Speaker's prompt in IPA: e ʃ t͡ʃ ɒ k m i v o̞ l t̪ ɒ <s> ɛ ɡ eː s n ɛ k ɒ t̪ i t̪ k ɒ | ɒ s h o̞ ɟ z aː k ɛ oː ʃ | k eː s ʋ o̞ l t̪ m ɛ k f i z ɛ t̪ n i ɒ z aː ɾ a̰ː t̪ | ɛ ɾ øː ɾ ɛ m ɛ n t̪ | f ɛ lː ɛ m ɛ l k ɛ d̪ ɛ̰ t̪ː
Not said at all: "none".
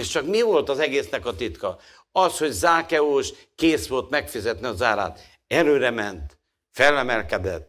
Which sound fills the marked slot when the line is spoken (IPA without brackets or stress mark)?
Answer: z